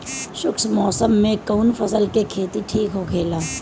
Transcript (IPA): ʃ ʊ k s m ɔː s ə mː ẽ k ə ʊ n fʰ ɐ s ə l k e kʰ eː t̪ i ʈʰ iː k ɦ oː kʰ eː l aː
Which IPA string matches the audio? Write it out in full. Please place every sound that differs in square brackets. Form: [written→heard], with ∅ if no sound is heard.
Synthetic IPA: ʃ ʊ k s m ɔː s ə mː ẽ k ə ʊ n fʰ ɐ s ə l k e kʰ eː t̪ i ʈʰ iː k ɦ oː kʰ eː l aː